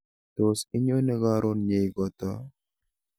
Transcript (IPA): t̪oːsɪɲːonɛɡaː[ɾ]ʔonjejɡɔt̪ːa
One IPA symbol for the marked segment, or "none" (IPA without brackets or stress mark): ɾ